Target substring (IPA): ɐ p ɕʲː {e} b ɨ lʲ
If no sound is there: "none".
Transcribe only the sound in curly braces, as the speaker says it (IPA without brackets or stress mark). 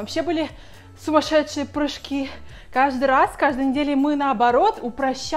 e